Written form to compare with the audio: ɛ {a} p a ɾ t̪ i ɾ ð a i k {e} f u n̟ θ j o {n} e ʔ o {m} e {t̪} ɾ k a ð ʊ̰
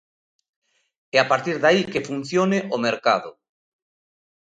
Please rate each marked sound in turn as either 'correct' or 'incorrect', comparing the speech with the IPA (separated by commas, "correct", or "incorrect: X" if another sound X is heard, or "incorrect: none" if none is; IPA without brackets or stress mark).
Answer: correct, correct, correct, correct, incorrect: none